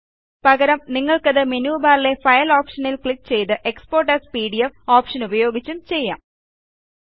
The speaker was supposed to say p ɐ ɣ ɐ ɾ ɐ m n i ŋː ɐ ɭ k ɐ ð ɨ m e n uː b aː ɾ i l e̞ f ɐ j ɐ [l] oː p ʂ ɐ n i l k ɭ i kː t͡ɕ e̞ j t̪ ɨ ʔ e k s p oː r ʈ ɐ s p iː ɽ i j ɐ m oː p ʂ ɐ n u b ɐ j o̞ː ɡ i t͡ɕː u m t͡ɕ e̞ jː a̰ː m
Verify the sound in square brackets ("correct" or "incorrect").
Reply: correct